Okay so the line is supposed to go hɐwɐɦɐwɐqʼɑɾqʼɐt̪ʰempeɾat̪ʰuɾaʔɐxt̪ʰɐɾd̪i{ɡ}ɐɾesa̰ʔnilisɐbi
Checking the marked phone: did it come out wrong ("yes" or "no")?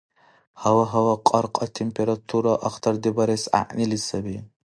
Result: yes